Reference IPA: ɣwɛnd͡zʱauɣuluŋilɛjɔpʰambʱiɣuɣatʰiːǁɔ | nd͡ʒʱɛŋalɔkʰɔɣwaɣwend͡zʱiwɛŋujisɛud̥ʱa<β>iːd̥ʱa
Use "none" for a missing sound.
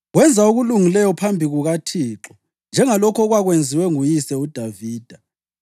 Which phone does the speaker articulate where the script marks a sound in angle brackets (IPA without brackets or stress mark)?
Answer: v